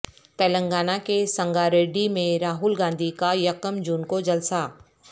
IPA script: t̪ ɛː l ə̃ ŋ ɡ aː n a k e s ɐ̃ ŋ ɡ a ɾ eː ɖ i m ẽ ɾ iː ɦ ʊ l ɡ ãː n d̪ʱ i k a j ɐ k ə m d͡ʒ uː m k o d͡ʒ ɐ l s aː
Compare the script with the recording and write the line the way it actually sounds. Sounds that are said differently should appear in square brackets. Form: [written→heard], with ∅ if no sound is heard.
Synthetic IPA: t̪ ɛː l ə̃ ŋ ɡ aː n a k e s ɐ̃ ŋ ɡ a ɾ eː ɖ i m ẽ ɾ [iː→aː] ɦ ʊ l ɡ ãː n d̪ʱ i k a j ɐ k ə m d͡ʒ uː [m→n] k o d͡ʒ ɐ l s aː